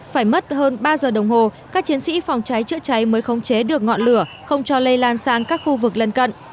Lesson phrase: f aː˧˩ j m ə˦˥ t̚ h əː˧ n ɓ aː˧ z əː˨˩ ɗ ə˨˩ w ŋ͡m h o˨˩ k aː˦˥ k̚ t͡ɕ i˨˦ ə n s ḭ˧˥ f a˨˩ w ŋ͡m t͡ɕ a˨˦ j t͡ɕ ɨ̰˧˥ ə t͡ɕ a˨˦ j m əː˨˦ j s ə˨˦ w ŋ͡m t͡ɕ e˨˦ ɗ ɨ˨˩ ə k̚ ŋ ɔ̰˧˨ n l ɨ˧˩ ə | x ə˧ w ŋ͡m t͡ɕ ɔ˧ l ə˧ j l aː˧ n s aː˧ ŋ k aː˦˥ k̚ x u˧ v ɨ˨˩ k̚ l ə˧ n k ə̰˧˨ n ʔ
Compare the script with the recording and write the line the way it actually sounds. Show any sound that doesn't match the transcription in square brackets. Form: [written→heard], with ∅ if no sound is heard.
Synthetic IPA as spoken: f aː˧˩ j m ə˦˥ t̚ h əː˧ n ɓ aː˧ z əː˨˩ ɗ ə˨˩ w ŋ͡m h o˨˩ k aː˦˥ k̚ t͡ɕ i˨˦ ə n s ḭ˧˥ f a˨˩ w ŋ͡m t͡ɕ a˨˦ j t͡ɕ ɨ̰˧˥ ə t͡ɕ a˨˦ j m əː˨˦ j [s→x] ə˨˦ w ŋ͡m t͡ɕ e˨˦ ɗ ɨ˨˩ ə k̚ ŋ ɔ̰˧˨ n l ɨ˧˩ ə | x ə˧ w ŋ͡m t͡ɕ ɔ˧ l ə˧ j l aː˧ n s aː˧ ŋ k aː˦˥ k̚ x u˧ v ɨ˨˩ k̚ l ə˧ n k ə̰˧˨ n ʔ

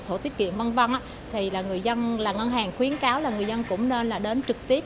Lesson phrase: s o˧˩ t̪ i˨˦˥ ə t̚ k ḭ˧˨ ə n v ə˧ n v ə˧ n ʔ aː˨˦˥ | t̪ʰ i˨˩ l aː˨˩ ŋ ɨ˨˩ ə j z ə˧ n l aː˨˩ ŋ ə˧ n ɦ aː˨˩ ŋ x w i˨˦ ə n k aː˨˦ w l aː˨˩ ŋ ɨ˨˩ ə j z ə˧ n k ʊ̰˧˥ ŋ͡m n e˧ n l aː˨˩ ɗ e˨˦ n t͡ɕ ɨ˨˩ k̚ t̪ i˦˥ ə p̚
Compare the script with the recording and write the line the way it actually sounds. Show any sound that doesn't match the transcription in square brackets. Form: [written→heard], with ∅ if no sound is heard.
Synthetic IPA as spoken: s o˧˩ t̪ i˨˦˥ ə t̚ k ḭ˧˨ ə n v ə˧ n v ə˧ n ʔ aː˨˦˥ | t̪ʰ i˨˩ l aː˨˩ ŋ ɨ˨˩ ə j z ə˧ n l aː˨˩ ŋ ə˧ n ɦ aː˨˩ ŋ x w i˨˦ ə n k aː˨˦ w l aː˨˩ ŋ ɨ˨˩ ə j z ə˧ n k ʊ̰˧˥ ŋ͡m n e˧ n l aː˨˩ ɗ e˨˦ n t͡ɕ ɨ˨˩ k̚ t̪ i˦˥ ə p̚

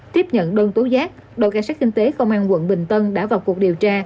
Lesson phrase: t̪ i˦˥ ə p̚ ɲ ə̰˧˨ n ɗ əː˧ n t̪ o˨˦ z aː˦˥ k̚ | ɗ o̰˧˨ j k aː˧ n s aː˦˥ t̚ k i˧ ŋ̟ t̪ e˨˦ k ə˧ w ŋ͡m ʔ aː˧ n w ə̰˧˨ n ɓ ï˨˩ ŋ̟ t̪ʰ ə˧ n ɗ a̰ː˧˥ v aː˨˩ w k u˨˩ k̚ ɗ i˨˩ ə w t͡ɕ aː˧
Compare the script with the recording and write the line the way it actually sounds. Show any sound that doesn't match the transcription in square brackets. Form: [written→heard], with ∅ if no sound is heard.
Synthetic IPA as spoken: t̪ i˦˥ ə p̚ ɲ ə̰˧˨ n ɗ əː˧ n t̪ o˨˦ z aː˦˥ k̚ | ɗ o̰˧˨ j k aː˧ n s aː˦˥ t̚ k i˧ ŋ̟ t̪ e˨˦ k ə˧ w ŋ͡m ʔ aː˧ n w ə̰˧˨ n ɓ ï˨˩ ŋ̟ [t̪ʰ→t̪] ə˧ n ɗ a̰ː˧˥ v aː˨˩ w k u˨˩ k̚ ɗ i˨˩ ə w t͡ɕ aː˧

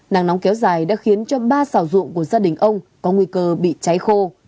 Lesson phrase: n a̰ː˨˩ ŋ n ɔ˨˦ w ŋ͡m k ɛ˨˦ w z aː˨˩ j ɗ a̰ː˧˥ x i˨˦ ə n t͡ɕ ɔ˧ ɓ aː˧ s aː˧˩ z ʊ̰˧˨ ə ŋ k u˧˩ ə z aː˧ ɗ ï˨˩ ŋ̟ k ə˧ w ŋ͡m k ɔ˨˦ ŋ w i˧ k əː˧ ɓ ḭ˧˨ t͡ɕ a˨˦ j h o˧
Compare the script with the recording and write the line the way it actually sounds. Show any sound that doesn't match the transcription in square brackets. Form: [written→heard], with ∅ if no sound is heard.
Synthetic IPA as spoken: n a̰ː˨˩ ŋ n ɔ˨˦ w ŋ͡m k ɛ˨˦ w z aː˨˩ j ɗ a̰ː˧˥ x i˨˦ ə n t͡ɕ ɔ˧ ɓ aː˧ s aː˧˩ z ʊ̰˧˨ ə ŋ k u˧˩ ə z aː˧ ɗ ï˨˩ ŋ̟ [k→ʔ] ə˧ w ŋ͡m k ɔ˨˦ ŋ w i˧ k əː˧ ɓ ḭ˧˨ t͡ɕ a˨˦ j [h→x] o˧

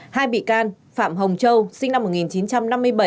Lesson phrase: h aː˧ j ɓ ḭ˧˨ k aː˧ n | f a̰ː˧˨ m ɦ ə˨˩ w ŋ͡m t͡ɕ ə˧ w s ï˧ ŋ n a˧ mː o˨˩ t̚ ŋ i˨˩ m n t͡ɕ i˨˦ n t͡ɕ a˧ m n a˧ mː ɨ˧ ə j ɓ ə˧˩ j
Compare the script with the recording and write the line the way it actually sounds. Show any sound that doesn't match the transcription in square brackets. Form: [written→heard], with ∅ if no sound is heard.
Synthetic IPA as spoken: h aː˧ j ɓ ḭ˧˨ k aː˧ n | f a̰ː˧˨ m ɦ ə˨˩ w ŋ͡m t͡ɕ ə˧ w s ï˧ ŋ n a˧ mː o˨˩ t̚ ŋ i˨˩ [m→∅] n t͡ɕ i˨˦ n t͡ɕ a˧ m n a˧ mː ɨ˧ ə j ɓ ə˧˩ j

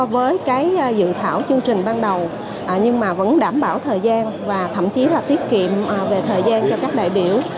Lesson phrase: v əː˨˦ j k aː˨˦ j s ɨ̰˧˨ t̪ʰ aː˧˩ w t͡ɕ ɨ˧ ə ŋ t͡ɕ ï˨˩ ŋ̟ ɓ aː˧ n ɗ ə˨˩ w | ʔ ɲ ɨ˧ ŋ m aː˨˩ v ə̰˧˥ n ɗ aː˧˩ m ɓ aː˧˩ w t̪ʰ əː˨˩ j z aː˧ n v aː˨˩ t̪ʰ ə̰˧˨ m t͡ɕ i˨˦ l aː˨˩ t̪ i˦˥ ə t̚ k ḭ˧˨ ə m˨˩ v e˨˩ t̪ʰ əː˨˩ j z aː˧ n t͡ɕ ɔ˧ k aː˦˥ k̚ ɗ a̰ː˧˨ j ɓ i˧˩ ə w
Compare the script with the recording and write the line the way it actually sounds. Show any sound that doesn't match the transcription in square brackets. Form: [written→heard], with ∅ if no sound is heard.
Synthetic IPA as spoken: v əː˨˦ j k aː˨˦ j [s→z] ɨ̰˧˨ t̪ʰ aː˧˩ w t͡ɕ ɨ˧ ə ŋ t͡ɕ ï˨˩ ŋ̟ ɓ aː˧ n ɗ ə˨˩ w | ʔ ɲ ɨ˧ ŋ m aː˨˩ v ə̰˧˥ n ɗ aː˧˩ m ɓ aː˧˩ w t̪ʰ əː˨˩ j z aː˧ n v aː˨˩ t̪ʰ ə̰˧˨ m t͡ɕ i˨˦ l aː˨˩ t̪ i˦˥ ə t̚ k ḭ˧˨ ə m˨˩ v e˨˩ t̪ʰ əː˨˩ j z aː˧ n t͡ɕ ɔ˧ k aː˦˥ k̚ ɗ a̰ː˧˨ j ɓ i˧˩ ə w

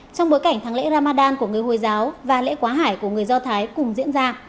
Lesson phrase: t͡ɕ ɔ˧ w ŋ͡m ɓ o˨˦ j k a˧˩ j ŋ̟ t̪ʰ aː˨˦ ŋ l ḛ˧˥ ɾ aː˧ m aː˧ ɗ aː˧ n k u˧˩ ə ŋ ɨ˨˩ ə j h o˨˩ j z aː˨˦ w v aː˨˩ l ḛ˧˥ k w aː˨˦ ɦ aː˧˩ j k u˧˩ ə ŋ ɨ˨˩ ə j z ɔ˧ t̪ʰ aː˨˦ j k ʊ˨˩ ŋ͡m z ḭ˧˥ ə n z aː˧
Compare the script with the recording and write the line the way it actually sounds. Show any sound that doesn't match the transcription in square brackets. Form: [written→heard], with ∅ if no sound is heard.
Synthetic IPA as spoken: t͡ɕ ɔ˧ w ŋ͡m ɓ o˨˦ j k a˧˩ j ŋ̟ t̪ʰ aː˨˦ ŋ l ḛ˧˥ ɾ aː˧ m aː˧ ɗ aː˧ n k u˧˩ ə ŋ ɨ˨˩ ə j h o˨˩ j z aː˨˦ w v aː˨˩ l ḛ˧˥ k w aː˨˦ ɦ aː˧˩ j k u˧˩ ə ŋ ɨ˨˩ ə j z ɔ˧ t̪ʰ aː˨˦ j k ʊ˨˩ ŋ͡m z ḭ˧˥ ə n z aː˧

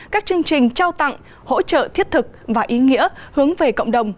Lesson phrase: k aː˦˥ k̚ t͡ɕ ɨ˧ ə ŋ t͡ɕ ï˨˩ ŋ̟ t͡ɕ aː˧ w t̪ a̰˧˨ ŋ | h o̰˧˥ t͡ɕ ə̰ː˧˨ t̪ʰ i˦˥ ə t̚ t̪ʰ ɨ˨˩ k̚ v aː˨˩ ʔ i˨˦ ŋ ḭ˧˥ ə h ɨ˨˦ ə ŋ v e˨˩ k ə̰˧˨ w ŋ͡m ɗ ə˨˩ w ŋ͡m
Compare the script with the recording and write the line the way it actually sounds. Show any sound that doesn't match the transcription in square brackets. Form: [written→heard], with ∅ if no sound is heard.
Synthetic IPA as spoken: k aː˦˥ k̚ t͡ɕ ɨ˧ ə ŋ t͡ɕ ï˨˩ ŋ̟ t͡ɕ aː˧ w t̪ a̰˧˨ ŋ | h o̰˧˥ t͡ɕ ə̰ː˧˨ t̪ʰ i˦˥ ə t̚ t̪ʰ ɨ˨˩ k̚ v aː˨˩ ʔ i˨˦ ŋ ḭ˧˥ ə h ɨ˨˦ ə ŋ v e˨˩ k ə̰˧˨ w ŋ͡m ɗ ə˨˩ w ŋ͡m

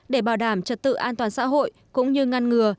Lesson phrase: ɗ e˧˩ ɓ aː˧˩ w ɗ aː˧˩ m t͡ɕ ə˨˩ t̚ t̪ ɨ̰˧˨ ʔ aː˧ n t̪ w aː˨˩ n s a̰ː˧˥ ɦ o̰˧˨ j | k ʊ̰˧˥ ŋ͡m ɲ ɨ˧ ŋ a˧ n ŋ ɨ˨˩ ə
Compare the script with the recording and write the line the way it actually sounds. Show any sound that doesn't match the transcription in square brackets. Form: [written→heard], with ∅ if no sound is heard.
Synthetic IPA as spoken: ɗ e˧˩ ɓ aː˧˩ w ɗ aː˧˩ m t͡ɕ ə˨˩ t̚ t̪ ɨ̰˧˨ ʔ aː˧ n t̪ w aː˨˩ n s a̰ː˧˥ ɦ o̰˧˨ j | k ʊ̰˧˥ ŋ͡m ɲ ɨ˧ ŋ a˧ n ŋ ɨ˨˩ ə

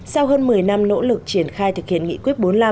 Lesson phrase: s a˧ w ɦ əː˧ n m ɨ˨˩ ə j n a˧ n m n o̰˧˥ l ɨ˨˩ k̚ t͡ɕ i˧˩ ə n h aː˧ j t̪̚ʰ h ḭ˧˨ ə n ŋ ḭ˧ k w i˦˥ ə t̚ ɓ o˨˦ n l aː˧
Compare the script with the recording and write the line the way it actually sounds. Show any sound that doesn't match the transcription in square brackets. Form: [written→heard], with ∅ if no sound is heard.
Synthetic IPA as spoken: s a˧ w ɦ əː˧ n m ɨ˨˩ ə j n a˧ [n→∅] m n o̰˧˥ l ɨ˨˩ k̚ t͡ɕ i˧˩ ə n [h→x] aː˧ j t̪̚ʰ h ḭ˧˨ ə n ŋ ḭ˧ k w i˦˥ ə t̚ ɓ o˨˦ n l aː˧

